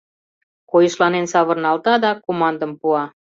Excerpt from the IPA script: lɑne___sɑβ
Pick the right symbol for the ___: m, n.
n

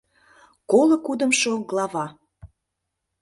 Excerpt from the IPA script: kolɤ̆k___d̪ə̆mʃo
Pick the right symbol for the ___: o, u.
u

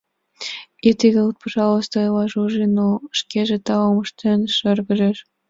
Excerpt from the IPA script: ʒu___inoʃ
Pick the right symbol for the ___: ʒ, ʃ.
ʒ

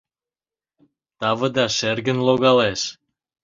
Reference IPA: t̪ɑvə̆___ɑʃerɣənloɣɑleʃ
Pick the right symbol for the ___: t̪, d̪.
d̪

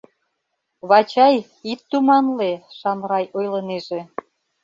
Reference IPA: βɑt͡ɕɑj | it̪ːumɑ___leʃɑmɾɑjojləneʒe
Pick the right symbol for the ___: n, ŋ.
n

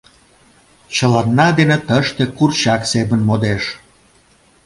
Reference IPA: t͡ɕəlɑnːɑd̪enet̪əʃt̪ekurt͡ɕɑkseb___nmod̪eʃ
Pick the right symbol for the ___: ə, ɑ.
ə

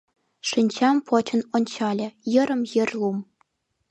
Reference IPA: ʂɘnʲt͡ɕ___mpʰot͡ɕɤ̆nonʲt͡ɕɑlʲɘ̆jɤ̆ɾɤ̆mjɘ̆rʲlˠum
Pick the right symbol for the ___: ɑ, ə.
ɑ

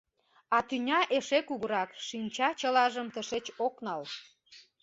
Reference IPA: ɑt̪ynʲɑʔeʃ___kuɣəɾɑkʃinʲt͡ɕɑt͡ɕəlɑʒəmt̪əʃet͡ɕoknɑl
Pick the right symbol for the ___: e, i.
e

